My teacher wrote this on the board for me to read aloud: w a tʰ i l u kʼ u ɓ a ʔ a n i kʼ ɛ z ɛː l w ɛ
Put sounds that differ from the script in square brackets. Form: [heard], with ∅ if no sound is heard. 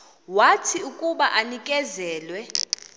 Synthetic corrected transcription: w a tʰ i [∅] u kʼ u ɓ a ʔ a n i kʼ ɛ z ɛː l w ɛ

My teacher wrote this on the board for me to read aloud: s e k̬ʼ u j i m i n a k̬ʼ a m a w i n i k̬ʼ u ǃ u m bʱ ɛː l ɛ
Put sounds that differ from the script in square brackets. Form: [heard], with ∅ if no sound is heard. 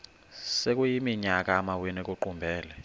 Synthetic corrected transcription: s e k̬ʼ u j i m i [ɲ] a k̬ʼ a m a w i n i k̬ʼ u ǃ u m bʱ ɛː l ɛ

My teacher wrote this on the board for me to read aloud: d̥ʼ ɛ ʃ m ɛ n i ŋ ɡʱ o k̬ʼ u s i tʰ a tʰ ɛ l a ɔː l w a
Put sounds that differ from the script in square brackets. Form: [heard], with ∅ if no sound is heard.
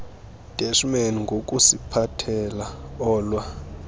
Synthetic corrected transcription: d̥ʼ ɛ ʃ m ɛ n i ŋ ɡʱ o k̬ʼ u s i [pʰ] a tʰ ɛ l a ɔː l w a

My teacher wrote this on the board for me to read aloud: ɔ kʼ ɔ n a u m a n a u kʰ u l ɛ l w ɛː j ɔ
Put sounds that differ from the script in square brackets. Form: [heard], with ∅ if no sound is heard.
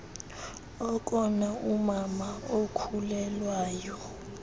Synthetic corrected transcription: ɔ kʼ ɔ n a u m a [m] a [o] kʰ u l ɛ l w [aː] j ɔ

